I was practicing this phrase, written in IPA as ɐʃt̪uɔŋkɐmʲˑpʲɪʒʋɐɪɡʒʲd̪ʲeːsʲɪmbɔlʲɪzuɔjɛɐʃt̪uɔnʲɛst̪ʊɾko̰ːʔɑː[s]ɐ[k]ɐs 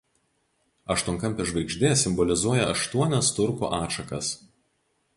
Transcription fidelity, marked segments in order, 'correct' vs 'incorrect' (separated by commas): incorrect, correct